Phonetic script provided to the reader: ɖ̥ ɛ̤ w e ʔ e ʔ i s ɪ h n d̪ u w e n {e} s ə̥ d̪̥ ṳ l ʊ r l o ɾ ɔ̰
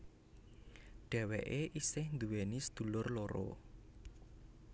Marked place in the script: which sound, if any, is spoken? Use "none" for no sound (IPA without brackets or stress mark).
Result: i